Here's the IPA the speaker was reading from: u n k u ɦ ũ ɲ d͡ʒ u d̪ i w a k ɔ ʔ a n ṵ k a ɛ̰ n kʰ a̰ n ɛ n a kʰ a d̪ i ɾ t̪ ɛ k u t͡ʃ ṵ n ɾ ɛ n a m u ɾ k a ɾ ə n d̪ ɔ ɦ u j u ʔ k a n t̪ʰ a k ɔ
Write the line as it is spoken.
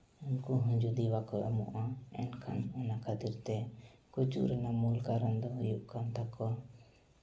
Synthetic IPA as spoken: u n k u ɦ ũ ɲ d͡ʒ u d̪ i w a k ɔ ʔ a m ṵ ʔ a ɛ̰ n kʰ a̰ n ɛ n a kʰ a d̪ i ɾ t̪ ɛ k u t͡ʃ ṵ ɾ ɛ n a m u l k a ɾ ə n d̪ ɔ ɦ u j u ʔ k a n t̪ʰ a k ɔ